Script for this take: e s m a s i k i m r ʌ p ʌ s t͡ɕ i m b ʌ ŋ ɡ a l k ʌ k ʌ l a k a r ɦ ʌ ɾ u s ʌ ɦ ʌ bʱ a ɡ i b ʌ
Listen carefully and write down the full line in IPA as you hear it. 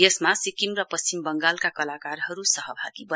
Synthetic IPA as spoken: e s m a s i k i m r ʌ p ʌ s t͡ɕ i m b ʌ ŋ ɡ a l k a k ʌ l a k a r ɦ ʌ ɾ u s ʌ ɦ ʌ bʱ a ɡ i b ʌ